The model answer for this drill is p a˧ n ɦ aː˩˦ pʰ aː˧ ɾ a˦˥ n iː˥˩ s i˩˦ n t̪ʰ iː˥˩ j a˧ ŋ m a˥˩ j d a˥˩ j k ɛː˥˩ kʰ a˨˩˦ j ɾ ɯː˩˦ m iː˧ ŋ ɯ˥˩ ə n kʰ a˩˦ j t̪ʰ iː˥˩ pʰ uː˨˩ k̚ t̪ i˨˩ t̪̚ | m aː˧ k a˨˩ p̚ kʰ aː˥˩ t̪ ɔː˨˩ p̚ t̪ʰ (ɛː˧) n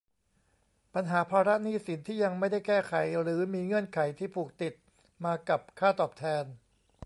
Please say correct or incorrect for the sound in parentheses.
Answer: correct